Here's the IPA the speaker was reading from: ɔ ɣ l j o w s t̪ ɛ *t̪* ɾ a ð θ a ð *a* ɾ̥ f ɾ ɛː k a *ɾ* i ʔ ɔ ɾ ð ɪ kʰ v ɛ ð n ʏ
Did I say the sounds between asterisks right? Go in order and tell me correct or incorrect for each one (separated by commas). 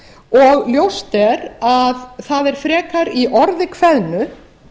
incorrect, incorrect, correct